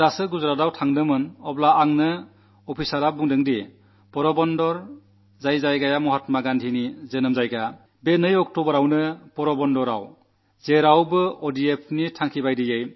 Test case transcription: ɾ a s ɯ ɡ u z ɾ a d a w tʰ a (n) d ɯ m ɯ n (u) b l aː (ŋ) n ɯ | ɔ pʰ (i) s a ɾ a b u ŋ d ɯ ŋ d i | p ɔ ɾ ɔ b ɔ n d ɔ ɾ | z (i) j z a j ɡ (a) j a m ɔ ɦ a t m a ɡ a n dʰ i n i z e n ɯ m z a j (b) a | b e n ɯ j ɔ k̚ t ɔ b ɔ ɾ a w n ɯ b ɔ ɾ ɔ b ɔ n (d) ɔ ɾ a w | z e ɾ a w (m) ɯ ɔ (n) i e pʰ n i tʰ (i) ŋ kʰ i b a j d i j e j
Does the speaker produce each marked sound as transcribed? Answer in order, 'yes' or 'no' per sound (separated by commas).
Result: no, no, yes, yes, no, yes, no, yes, no, no, no